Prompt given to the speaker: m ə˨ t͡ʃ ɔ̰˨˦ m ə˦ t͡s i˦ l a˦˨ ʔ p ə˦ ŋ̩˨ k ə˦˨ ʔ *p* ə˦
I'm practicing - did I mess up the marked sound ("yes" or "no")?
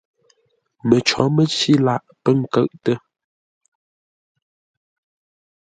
yes